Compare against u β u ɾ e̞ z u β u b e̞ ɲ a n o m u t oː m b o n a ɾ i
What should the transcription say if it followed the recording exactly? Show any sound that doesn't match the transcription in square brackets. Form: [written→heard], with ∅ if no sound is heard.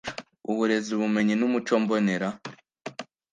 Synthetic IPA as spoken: u β u ɾ e̞ z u β u [b→m] e̞ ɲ [a→i] n [o→u] m u [t→t͡ʃ] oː m b o n [a→e] ɾ [i→a]

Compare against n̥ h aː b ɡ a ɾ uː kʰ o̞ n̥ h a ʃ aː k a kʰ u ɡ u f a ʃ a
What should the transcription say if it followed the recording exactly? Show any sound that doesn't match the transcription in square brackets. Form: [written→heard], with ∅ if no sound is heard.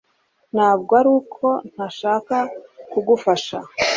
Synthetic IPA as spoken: n̥ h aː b ɡ a ɾ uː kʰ o̞ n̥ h a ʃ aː k a [kʰ→k] u ɡ u f a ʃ a

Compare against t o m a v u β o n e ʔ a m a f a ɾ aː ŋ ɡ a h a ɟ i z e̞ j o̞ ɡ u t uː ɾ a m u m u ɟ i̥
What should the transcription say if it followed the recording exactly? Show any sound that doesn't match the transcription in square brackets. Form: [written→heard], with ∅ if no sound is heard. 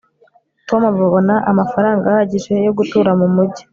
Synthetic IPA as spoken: t o m a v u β o n [e→a] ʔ a m a f a ɾ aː ŋ ɡ a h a ɟ i [z→ʒ] e̞ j o̞ ɡ u t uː ɾ a m u m u ɟ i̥

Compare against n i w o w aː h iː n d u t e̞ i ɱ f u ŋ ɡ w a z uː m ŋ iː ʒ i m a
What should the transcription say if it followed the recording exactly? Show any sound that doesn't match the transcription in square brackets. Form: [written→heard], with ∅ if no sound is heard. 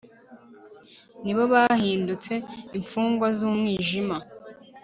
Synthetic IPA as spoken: n i [w→β] o [w→β] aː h iː n d u [t→t͡s] e̞ i ɱ f [u→uː] ŋ ɡ w a z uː m ŋ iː ʒ i m a

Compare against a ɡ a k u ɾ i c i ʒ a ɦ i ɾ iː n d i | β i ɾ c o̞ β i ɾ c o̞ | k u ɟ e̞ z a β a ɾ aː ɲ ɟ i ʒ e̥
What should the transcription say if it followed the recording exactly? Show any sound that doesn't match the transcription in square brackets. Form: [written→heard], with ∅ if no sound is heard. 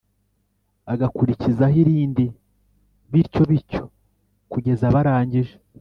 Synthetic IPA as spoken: a ɡ a k u ɾ i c i [ʒ→z] a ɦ i ɾ iː n d i | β i ɾ c o̞ β i ɾ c o̞ | k u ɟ e̞ z a β a ɾ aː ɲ ɟ i ʒ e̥

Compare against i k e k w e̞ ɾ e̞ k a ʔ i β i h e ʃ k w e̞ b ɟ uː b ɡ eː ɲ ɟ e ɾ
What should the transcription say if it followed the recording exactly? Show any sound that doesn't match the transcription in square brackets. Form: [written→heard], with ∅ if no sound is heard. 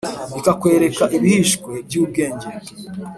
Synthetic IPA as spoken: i k [e→a] k w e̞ ɾ e̞ k a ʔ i β i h [e→i] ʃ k w e̞ b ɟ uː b ɡ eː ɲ ɟ e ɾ

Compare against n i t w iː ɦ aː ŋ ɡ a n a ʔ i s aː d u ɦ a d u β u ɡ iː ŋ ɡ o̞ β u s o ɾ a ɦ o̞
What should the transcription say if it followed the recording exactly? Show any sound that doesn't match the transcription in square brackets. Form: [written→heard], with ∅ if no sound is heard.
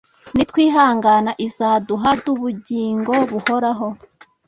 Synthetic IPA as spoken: n i t w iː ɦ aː ŋ ɡ a n a ʔ i [s→z] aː d u ɦ a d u β u [ɡ→ɟ] iː ŋ ɡ o̞ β u [s→h] o ɾ a ɦ o̞

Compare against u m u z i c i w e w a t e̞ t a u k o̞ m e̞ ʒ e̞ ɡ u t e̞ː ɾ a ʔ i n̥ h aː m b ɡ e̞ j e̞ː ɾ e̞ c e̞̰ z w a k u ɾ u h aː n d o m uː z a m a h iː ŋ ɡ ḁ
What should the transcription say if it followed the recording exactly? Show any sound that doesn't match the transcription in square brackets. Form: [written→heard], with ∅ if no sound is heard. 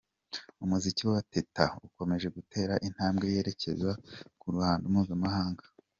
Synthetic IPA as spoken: u m u z i c i w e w a t e̞ t a u k o̞ m e̞ ʒ e̞ ɡ u t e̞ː ɾ a ʔ i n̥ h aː m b ɡ e̞ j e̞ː ɾ e̞ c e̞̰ z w a k u ɾ u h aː n d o m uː z a m a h [iː→aː] ŋ ɡ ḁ

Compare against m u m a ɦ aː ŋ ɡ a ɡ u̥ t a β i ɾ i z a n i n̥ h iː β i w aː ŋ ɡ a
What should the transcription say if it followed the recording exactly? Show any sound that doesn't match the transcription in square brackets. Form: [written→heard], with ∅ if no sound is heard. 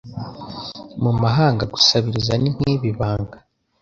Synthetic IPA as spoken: m u m a ɦ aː ŋ ɡ a ɡ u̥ [t→s] a β i ɾ i z a n i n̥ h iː β i [w→β] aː ŋ ɡ a

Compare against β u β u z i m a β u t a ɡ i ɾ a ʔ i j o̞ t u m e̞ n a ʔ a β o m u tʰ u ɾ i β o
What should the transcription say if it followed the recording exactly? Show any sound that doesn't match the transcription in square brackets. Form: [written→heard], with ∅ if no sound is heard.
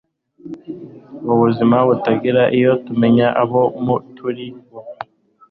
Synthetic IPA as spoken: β u β u z i m a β u t a ɡ i ɾ a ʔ i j o̞ t u m e̞ [n→ɲ] a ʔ a β o m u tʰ u ɾ i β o

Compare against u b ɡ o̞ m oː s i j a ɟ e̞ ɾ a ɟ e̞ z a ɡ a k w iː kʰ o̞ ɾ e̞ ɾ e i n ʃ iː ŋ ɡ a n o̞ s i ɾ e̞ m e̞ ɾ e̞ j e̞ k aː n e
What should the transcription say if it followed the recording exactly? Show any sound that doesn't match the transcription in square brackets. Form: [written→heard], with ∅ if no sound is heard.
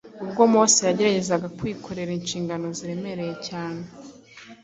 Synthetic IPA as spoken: u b ɡ o̞ m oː s i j a ɟ e̞ ɾ a ɟ e̞ z a ɡ a k w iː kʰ o̞ ɾ e̞ ɾ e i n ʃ iː ŋ ɡ a n o̞ [s→z] i ɾ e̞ m e̞ ɾ e̞ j e̞ [k→c] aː n e

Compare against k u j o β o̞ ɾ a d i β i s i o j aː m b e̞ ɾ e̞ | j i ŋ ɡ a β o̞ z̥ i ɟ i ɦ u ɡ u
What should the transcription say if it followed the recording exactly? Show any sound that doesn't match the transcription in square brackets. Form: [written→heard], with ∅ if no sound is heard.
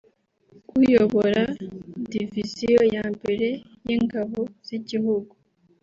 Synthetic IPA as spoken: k u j o β o̞ ɾ a d i [β→v] i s i o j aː m b e̞ ɾ e̞ | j i ŋ ɡ a β o̞ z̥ i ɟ i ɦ u ɡ u

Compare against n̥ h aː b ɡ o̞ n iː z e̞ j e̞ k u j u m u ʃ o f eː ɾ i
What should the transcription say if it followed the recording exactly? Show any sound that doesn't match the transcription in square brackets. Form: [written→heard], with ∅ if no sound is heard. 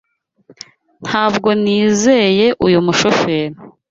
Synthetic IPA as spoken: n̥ h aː b ɡ o̞ n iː z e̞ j e̞ [k→ʔ] u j u m u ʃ o f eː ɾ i

